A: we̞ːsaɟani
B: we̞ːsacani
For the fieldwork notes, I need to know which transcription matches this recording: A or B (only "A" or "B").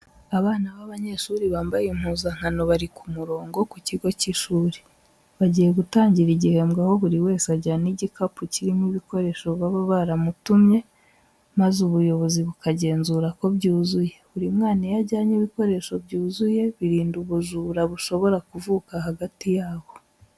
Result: A